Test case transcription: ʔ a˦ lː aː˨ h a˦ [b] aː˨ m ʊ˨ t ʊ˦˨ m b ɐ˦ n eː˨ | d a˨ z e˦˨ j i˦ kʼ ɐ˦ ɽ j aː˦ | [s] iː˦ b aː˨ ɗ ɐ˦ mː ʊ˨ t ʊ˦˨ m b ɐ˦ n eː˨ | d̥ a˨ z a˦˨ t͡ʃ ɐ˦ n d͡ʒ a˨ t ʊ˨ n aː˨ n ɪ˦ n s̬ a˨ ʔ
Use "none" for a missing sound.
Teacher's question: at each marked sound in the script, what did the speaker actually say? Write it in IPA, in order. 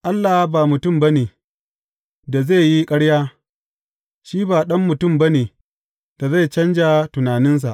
b, ʃ

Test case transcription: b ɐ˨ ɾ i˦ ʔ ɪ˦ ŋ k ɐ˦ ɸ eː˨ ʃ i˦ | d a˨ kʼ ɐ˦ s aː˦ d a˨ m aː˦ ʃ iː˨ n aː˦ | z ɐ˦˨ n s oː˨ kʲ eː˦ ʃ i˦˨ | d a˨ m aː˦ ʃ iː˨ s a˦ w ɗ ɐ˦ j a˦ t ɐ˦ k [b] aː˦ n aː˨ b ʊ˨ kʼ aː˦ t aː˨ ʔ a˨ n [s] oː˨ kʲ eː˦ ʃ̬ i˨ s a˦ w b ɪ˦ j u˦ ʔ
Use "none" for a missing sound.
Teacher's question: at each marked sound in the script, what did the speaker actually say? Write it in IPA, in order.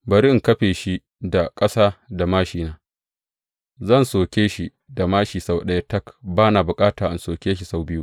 b, s

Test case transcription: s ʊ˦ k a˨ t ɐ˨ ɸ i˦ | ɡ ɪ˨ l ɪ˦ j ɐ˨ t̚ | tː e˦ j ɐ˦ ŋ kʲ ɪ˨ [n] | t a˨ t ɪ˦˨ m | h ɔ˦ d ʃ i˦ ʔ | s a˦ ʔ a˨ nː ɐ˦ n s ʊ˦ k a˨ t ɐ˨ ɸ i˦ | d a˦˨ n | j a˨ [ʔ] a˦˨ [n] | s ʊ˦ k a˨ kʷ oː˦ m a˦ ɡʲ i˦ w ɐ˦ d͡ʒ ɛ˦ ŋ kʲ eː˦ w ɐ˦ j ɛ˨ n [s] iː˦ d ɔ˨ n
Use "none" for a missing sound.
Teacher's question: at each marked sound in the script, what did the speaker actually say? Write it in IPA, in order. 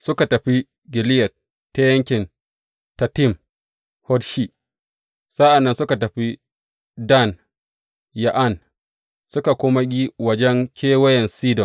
n, ʔ, n, s

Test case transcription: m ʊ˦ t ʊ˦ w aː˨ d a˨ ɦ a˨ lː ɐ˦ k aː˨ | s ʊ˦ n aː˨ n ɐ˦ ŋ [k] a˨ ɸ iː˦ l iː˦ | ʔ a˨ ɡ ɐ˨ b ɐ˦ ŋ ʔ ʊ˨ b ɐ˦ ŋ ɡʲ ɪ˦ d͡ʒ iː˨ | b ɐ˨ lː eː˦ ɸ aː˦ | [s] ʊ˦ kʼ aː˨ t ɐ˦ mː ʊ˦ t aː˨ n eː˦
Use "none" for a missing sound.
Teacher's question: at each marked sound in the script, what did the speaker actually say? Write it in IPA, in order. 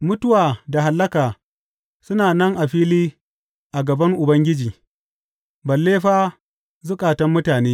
ʔ, z

